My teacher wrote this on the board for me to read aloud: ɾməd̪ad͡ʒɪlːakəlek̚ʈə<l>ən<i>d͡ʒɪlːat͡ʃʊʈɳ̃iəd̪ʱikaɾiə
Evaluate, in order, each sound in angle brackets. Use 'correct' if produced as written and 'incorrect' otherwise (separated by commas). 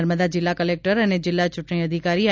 incorrect, incorrect